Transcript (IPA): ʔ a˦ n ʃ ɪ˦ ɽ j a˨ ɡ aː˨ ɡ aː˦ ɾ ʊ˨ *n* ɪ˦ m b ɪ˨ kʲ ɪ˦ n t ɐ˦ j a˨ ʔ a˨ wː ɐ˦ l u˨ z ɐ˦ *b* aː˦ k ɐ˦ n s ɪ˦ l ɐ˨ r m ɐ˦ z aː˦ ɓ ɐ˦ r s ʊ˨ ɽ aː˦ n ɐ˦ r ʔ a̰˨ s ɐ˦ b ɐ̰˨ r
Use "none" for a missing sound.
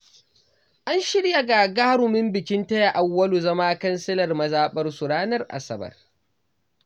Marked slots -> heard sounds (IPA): m, m

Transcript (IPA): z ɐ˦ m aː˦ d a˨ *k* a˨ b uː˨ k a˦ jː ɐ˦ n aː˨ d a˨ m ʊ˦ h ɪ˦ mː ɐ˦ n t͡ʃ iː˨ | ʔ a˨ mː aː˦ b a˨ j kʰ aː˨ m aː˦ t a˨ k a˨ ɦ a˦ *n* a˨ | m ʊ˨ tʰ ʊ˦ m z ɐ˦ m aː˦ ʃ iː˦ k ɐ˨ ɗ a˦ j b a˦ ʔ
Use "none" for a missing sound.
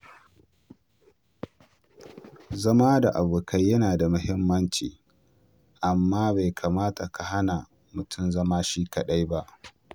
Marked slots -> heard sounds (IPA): ʔ, n

